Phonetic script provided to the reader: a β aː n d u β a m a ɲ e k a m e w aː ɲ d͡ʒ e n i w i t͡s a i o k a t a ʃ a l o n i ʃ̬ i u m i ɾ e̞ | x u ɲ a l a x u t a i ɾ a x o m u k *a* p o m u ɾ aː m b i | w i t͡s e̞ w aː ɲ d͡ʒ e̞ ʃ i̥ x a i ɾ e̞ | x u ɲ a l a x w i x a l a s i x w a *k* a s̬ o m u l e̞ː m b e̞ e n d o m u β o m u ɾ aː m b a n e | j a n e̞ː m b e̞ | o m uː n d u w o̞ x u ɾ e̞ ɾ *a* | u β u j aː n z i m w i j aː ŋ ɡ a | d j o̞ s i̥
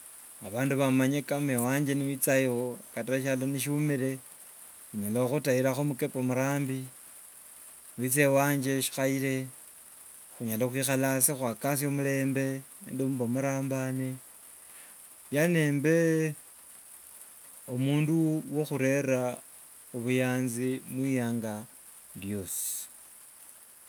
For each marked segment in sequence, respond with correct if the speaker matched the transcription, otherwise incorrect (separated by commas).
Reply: incorrect, correct, correct